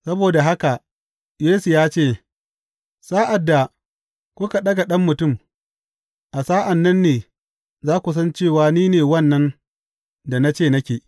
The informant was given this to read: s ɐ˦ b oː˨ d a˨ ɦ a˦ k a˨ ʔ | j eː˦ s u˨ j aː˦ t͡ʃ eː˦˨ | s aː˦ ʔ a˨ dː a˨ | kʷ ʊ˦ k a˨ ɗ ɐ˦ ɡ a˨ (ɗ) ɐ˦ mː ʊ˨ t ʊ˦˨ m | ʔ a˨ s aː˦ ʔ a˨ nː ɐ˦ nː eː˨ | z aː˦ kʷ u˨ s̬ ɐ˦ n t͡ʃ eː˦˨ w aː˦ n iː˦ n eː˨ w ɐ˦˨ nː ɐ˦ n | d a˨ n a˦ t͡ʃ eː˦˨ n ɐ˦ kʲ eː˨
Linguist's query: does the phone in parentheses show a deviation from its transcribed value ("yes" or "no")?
no